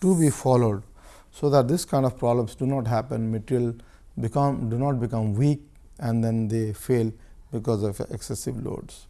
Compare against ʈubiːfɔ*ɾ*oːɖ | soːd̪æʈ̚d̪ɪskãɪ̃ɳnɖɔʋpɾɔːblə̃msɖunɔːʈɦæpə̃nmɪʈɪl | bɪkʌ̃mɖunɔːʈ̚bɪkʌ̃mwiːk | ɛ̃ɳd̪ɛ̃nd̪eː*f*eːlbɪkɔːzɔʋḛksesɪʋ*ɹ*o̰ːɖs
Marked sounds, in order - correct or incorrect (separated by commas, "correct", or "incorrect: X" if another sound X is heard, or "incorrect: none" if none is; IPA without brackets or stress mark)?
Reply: incorrect: l, correct, incorrect: l